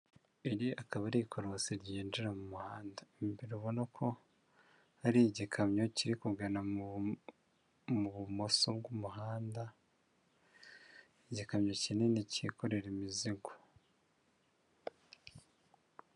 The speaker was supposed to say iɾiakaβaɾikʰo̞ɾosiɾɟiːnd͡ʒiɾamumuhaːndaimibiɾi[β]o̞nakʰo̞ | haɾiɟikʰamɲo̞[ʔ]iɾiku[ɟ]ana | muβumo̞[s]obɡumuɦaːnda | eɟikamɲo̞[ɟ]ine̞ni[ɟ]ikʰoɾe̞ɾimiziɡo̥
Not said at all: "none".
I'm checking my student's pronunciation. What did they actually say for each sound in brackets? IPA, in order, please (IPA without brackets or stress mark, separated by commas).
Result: β, c, ɡ, s, c, c